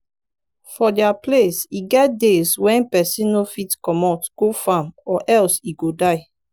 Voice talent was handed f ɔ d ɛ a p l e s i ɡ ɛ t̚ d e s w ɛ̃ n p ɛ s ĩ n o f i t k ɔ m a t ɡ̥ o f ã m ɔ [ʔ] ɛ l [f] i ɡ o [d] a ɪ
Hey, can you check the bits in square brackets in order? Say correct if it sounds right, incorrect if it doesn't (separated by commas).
correct, incorrect, correct